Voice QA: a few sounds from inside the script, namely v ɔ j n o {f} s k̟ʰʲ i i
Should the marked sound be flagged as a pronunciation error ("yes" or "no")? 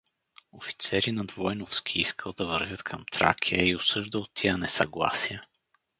no